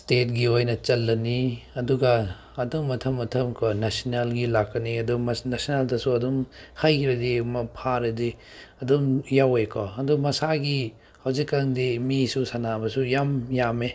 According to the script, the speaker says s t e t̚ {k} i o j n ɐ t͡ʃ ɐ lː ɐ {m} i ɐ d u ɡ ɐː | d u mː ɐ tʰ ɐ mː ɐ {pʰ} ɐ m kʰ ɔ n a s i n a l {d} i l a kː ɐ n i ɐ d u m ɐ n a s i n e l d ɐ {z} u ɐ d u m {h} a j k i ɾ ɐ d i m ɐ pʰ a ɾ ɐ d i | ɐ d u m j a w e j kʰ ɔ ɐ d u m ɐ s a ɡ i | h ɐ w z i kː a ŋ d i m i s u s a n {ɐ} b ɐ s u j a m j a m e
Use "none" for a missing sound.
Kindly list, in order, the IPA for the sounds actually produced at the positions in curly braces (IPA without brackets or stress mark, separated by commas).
ɡ, n, tʰ, ɡ, s, h, a